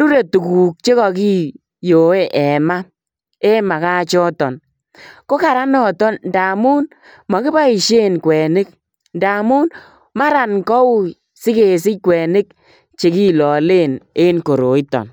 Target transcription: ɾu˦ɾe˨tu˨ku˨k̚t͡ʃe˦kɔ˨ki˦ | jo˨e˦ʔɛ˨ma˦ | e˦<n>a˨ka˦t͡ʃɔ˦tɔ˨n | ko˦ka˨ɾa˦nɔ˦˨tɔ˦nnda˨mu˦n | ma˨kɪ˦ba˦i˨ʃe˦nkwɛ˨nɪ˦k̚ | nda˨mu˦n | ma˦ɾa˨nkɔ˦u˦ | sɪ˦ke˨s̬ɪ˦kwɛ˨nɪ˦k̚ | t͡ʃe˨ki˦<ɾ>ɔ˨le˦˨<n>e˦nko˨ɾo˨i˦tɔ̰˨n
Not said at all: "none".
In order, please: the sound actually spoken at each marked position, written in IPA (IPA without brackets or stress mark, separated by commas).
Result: m, l, n